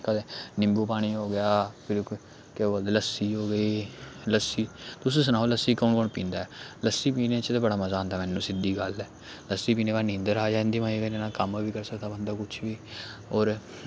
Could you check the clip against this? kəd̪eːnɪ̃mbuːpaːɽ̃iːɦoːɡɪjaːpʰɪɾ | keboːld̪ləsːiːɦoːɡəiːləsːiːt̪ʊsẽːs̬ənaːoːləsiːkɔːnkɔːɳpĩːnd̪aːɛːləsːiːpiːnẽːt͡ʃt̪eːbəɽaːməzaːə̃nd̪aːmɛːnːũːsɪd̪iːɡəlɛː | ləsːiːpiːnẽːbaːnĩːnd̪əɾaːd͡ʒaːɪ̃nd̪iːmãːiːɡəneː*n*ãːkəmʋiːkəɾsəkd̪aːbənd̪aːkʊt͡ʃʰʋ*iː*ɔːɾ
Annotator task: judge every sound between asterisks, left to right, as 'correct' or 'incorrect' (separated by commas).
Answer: correct, correct